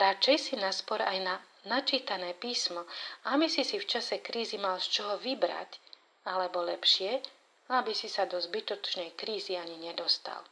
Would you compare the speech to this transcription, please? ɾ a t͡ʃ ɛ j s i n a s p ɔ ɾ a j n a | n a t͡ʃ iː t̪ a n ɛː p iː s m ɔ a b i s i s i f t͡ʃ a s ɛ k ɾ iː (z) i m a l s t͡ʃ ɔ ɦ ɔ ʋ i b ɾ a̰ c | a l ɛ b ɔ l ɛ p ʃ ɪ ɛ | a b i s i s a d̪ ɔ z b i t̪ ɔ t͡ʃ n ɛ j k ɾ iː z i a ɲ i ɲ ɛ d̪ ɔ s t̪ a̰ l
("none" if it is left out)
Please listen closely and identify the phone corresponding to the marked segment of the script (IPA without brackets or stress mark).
z